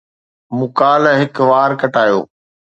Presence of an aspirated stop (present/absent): absent